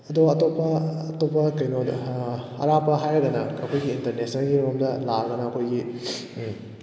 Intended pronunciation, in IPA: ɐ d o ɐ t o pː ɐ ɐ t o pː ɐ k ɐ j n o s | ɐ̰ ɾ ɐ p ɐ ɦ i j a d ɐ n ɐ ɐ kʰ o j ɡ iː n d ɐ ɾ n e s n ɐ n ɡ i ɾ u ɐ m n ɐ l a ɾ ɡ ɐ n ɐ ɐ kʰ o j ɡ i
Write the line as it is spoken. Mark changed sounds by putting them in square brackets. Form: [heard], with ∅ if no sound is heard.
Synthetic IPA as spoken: ɐ d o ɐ t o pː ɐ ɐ t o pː ɐ k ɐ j n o [∅] | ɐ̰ ɾ [a] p ɐ ɦ [a] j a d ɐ n ɐ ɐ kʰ o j ɡ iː n [t] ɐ ɾ n e s n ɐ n ɡ i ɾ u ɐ m [d] ɐ l a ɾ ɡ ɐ n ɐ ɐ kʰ o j ɡ i

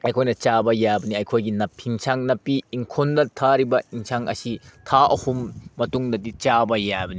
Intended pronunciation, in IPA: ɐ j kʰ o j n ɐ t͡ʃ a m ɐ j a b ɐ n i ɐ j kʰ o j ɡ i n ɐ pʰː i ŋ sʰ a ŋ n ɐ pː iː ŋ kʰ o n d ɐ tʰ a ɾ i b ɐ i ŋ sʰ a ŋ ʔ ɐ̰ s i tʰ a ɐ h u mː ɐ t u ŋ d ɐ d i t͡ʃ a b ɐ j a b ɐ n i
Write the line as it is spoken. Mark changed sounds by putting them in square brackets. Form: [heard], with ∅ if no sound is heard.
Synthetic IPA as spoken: ɐ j kʰ o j n ɐ t͡ʃ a [b] ɐ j a b ɐ n i ɐ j kʰ o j ɡ i n ɐ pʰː i ŋ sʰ a ŋ n ɐ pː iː ŋ kʰ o n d ɐ tʰ a ɾ i b ɐ i ŋ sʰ a ŋ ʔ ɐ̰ s i tʰ a ɐ h u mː ɐ t u ŋ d ɐ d i t͡ʃ a b ɐ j a b ɐ n i

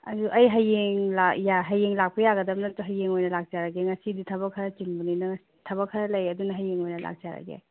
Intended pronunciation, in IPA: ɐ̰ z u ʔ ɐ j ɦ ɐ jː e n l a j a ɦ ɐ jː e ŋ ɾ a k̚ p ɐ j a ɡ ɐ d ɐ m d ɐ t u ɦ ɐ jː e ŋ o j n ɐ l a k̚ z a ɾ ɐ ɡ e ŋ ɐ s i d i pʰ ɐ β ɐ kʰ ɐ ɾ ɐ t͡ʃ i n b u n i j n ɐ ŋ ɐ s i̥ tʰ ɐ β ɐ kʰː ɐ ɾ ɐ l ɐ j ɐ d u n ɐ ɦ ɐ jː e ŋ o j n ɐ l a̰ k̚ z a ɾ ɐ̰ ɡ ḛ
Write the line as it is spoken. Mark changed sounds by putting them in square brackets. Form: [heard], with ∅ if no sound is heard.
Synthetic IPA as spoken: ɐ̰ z u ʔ ɐ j ɦ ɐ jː e [ŋ] l a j a ɦ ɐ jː e ŋ [l] a k̚ p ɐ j a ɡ ɐ d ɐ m [n] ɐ t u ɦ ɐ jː e ŋ o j n ɐ l a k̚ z a ɾ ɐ ɡ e ŋ ɐ s i d i [tʰ] ɐ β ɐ kʰ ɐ ɾ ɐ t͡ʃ i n b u n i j n ɐ ŋ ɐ s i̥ tʰ ɐ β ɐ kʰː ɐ ɾ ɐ l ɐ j ɐ d u n ɐ ɦ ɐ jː e ŋ o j n ɐ l a̰ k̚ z a ɾ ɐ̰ ɡ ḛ

